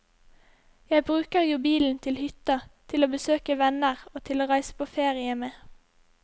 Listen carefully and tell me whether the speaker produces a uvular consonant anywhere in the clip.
yes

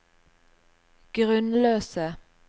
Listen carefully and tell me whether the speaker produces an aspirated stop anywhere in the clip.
no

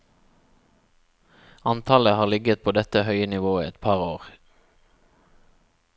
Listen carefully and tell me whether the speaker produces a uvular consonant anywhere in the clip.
yes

